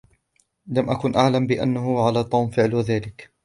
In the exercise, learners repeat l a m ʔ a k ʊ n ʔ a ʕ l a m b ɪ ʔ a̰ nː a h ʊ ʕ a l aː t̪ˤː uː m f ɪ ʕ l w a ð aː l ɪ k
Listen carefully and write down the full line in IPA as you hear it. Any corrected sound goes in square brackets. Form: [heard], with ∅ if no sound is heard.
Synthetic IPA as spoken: l a m ʔ a k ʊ n ʔ a ʕ l a m b ɪ ʔ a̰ nː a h ʊ ʕ a l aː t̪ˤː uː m f ɪ ʕ l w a ð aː l ɪ k